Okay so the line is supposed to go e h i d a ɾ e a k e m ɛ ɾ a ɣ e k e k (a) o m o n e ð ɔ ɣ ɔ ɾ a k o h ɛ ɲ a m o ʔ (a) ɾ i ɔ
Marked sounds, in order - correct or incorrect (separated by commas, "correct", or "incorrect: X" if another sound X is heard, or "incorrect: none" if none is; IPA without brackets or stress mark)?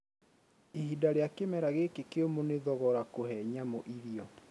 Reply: incorrect: e, incorrect: i